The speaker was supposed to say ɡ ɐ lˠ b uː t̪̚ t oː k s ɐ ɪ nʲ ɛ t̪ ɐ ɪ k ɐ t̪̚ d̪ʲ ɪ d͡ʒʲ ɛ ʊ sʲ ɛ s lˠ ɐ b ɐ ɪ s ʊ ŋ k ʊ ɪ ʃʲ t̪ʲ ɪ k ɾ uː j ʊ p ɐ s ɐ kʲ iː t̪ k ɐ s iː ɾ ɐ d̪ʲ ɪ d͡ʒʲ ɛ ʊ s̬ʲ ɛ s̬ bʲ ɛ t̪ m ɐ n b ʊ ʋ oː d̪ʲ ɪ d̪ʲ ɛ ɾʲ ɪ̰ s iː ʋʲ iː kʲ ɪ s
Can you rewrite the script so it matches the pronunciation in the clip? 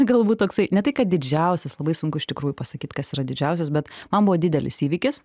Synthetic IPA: ɡ ɐ lˠ b uː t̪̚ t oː k s ɐ ɪ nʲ ɛ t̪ ɐ ɪ k ɐ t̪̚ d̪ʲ ɪ d͡ʒʲ ɛ ʊ sʲ ɛ s lˠ ɐ b ɐ ɪ s ʊ ŋ k ʊ ɪ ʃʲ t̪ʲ ɪ k ɾ uː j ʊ p ɐ s ɐ kʲ iː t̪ k ɐ s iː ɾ ɐ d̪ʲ ɪ d͡ʒʲ ɛ ʊ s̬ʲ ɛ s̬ bʲ ɛ t̪ m ɐ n b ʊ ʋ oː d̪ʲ ɪ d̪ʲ ɛ lʲ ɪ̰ s iː ʋʲ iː kʲ ɪ s